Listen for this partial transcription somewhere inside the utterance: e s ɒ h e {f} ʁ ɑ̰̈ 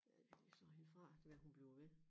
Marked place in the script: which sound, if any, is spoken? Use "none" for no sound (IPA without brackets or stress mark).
f